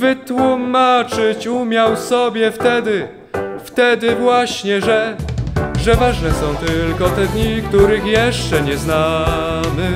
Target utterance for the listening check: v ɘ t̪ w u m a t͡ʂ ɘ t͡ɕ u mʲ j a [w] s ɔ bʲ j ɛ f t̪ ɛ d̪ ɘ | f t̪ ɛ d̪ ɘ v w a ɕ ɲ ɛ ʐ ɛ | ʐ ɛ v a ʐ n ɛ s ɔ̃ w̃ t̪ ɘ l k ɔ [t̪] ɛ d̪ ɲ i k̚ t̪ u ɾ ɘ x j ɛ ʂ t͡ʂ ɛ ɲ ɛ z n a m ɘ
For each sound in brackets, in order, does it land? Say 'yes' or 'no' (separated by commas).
yes, yes